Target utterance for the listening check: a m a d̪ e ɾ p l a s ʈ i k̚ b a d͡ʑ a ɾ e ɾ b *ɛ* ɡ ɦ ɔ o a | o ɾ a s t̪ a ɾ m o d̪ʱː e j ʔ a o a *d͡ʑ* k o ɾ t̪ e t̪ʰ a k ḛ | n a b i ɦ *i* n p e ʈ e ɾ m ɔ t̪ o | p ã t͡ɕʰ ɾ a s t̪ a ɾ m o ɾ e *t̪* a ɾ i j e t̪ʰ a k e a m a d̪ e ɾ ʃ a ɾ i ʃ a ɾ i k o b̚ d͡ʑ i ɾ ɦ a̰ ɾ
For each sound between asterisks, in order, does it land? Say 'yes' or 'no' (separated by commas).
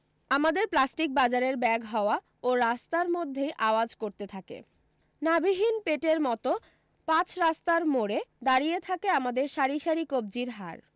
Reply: yes, yes, yes, no